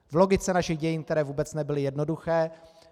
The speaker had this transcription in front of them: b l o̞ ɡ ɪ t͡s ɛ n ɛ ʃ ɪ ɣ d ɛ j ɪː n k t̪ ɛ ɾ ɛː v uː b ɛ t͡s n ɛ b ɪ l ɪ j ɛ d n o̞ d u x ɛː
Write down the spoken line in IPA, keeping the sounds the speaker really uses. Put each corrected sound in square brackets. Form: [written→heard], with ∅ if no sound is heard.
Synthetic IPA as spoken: [b→v] l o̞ ɡ ɪ t͡s ɛ n [ɛ→a] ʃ ɪ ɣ [d→ɟ] ɛ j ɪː n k t̪ ɛ ɾ ɛː v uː b ɛ t͡s n ɛ b ɪ l ɪ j ɛ d n o̞ d u x ɛː